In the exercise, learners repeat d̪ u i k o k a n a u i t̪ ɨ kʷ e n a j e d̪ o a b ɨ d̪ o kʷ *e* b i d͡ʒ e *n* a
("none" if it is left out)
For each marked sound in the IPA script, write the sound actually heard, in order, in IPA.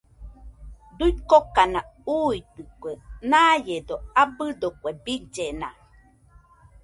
e, n

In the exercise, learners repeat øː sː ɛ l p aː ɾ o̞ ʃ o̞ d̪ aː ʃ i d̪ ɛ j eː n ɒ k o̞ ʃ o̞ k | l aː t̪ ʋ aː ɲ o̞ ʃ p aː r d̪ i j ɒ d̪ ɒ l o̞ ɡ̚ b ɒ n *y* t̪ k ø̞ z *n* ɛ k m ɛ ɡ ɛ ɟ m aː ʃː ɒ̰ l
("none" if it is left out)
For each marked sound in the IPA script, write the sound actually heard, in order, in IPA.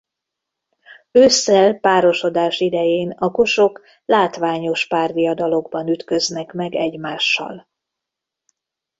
y, n

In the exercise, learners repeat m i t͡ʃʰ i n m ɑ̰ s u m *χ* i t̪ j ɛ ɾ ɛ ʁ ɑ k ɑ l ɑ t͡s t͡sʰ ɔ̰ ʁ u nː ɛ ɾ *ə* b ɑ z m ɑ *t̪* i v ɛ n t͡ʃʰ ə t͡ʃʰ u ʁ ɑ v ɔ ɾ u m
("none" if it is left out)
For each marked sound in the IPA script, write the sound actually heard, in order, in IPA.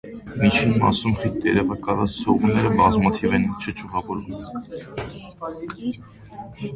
χ, ə, t̪ʰ

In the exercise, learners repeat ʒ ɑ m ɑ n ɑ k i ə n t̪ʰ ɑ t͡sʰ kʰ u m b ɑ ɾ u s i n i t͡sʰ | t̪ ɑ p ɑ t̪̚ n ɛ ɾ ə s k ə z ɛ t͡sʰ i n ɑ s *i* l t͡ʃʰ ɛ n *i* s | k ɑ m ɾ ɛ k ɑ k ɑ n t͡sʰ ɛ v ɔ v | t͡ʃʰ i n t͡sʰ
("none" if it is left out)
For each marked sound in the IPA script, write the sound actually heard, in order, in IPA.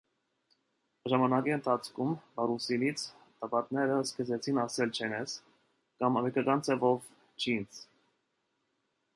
ɛ, ɛ

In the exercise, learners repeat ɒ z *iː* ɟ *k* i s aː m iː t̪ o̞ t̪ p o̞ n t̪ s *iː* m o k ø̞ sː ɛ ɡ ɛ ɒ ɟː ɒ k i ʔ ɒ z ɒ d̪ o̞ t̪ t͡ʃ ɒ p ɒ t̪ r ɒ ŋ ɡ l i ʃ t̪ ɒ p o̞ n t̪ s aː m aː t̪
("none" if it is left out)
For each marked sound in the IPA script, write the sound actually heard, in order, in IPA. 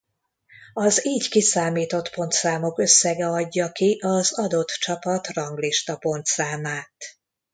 iː, k, aː

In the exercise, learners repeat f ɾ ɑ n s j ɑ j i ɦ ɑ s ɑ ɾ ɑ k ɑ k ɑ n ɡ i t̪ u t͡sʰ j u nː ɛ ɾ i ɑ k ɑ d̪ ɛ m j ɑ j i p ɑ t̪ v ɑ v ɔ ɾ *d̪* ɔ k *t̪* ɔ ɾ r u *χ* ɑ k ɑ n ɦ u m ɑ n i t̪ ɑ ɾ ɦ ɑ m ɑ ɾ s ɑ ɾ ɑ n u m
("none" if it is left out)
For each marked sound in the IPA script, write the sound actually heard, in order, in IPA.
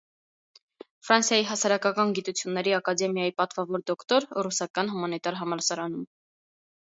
d̪, t̪, s

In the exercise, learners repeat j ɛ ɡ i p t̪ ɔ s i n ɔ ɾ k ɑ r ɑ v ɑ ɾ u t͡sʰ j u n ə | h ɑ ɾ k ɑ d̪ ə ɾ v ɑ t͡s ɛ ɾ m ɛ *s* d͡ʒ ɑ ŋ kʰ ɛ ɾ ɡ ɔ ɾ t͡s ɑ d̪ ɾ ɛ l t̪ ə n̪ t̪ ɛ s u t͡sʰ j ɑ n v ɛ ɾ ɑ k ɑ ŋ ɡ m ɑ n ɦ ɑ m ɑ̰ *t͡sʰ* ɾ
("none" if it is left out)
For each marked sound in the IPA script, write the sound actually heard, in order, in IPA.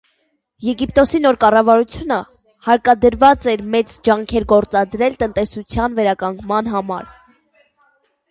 t͡s, none

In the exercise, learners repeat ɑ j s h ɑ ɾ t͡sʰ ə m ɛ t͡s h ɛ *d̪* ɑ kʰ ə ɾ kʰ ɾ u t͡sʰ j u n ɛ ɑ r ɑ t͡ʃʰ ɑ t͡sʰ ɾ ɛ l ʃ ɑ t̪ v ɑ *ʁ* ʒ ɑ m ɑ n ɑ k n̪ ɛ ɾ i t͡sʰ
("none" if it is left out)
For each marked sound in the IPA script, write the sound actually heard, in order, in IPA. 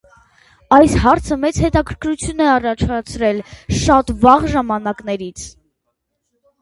t̪, ʁ

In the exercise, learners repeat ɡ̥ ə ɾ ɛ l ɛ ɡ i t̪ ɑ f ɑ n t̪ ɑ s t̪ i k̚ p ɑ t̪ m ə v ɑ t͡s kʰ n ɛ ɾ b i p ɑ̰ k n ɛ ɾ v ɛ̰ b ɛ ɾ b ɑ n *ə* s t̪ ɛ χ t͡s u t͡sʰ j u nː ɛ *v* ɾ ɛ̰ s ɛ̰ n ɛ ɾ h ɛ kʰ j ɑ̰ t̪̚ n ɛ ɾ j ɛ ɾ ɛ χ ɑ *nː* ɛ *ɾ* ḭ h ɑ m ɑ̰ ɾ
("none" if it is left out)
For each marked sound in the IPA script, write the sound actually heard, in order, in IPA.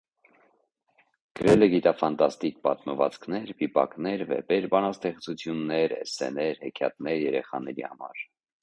ɑ, none, n, ɾ

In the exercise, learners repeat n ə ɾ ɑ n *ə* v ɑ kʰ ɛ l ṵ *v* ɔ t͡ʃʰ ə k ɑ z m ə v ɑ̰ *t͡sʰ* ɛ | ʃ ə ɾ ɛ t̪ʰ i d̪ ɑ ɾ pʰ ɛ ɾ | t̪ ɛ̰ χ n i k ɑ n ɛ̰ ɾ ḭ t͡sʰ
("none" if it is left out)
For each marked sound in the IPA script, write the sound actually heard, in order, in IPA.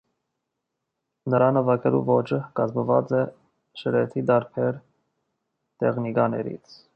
ə, v, t͡s

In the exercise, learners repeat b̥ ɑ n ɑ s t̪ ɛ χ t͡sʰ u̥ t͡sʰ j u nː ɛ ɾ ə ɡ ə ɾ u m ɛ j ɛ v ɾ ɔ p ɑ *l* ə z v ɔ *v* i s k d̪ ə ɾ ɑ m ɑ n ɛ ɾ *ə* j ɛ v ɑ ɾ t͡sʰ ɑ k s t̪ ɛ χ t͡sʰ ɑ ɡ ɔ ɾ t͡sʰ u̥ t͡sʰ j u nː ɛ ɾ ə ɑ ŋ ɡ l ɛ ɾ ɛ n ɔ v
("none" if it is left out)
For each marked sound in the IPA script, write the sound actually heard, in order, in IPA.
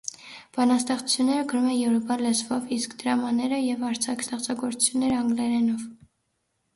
l, v, ə

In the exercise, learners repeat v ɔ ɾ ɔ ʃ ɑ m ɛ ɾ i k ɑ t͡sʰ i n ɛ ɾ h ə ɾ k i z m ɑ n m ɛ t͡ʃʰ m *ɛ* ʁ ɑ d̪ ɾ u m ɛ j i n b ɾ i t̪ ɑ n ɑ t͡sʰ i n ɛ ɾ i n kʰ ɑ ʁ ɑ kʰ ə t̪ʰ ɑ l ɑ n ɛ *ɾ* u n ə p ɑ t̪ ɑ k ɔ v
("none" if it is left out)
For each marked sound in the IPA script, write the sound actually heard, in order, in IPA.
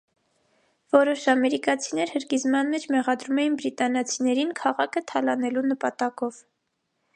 ɛ, l

